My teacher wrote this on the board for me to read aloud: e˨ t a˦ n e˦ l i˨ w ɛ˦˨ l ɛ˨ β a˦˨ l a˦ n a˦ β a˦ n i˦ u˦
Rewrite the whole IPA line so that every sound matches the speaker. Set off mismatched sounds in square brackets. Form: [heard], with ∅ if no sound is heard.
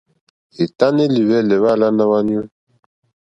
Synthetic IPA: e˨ t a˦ n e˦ l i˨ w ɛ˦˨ l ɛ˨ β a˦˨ l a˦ n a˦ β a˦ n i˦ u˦